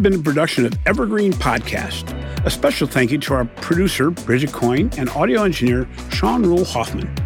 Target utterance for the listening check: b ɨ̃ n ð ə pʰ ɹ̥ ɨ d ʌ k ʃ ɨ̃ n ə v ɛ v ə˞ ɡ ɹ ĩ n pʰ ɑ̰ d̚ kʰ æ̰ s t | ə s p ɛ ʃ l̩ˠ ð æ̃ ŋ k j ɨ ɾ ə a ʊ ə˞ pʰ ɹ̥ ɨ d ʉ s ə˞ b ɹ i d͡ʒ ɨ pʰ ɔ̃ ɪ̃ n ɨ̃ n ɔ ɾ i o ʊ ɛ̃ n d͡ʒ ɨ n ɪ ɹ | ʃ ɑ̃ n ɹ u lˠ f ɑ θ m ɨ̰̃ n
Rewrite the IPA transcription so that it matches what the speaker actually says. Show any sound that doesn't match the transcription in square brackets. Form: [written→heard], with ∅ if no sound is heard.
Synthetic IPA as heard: b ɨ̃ n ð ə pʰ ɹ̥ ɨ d ʌ k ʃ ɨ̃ n [ə→ʌ] v ɛ v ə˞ ɡ ɹ ĩ n pʰ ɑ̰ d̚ kʰ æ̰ s t | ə s p ɛ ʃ l̩ˠ [ð→θ] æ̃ ŋ k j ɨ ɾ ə a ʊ ə˞ pʰ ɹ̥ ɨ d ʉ s ə˞ b ɹ [i→ɪ] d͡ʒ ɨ [pʰ→kʰ] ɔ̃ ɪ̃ n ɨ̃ n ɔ ɾ i o ʊ ɛ̃ n d͡ʒ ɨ n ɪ ɹ | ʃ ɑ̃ n ɹ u lˠ [f→h] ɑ θ m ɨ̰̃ n